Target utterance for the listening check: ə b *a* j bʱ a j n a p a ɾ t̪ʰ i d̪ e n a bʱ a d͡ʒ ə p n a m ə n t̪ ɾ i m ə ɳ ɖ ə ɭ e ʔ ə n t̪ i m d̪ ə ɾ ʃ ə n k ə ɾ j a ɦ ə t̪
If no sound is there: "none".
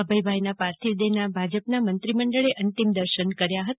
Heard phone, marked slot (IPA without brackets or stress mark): ə